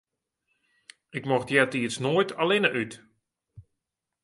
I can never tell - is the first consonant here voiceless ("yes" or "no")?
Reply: yes